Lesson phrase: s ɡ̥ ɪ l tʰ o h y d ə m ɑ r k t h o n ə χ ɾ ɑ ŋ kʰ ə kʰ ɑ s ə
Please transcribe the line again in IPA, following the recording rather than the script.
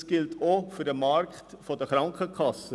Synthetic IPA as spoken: s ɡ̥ ɪ l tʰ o f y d ə m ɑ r k t f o d ə χ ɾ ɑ ŋ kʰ ə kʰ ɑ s ə